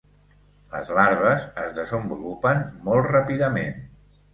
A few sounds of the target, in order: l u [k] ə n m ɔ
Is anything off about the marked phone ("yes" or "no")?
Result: yes